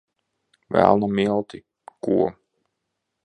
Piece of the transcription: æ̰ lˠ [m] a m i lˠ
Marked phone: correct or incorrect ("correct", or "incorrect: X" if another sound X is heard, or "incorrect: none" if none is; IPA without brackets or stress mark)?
incorrect: n